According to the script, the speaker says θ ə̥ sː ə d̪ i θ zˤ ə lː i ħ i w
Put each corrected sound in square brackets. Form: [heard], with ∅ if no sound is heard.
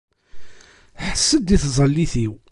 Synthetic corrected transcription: [ħ] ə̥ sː ə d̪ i θ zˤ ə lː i [θ] i w